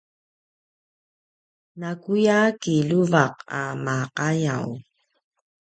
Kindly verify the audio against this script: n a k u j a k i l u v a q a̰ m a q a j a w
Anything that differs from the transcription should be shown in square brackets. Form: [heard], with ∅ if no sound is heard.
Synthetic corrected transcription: n a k u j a k i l u v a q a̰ m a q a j a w

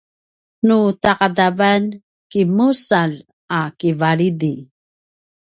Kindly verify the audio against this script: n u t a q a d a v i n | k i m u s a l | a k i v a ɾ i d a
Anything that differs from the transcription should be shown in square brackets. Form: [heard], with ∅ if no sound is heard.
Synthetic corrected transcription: n u t a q a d a v [a] n | k i m u s a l | a k i v a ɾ i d [i]

